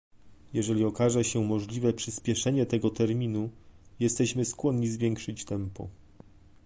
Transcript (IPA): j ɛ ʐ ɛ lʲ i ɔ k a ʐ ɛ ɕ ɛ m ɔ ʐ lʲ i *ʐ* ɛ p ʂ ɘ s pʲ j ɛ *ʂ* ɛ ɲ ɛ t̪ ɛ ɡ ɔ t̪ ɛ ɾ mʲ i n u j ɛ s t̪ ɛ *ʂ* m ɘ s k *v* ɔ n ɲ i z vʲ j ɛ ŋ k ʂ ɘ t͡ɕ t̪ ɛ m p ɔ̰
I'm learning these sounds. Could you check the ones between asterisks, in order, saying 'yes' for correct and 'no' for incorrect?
no, yes, no, no

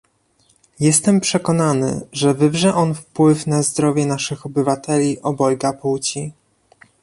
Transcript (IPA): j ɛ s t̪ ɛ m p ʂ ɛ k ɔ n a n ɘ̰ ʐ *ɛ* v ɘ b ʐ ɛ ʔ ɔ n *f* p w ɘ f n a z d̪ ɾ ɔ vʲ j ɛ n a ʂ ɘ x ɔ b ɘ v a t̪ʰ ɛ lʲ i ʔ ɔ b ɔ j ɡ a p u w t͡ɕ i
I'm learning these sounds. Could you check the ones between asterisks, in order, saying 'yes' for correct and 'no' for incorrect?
yes, yes

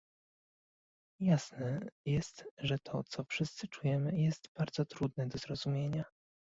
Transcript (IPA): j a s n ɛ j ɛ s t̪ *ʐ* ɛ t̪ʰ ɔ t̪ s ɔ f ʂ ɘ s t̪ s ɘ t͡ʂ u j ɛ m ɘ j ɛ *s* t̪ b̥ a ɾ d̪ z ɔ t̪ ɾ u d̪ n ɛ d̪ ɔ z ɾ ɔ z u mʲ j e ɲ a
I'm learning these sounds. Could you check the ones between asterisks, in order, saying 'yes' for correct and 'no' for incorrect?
yes, yes

